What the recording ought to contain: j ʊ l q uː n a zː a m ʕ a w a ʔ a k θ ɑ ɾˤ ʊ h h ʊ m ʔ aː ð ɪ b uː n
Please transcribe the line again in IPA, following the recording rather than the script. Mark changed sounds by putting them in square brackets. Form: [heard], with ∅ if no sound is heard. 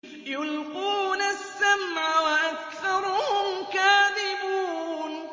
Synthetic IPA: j ʊ l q uː n a [sː] a m ʕ a w a ʔ a k θ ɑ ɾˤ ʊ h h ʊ m [k] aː ð ɪ b uː n